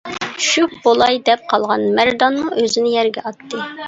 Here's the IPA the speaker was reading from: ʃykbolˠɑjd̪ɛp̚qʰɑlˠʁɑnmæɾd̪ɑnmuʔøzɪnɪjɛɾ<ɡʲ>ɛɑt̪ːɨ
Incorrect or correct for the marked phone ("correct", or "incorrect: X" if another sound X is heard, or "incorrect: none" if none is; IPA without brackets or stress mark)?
correct